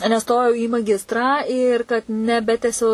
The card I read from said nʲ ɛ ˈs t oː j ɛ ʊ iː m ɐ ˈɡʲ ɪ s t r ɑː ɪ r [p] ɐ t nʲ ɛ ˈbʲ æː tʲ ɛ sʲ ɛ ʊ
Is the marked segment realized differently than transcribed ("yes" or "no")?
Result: yes